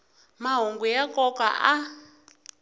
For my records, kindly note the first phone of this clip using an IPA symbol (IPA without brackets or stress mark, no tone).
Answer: m